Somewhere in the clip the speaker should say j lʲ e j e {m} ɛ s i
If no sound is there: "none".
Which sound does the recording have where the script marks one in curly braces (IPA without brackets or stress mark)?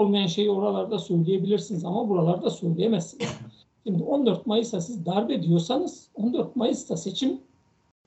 m